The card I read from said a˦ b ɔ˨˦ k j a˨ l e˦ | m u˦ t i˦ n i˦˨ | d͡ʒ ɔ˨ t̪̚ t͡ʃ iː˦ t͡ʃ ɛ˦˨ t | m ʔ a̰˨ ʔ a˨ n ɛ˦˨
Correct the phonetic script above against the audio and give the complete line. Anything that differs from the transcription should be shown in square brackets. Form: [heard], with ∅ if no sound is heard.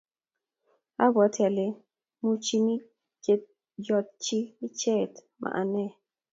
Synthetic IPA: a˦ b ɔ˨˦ [t] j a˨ l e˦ | m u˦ [t͡ʃ] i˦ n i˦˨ | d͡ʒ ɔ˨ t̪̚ t͡ʃ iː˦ t͡ʃ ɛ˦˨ t | m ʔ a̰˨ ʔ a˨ n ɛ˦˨